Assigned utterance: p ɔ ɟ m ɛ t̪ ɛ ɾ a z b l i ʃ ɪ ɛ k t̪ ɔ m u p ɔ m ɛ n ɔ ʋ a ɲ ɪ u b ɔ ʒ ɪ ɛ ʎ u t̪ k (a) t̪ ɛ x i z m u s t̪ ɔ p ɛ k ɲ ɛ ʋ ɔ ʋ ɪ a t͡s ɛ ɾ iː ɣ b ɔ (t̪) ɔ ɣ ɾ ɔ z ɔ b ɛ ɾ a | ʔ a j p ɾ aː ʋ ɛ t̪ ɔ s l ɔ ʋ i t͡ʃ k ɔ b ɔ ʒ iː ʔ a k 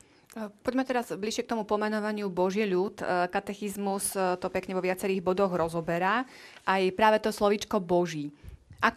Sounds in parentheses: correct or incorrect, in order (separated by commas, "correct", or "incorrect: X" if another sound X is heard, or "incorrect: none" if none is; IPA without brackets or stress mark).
correct, incorrect: d̪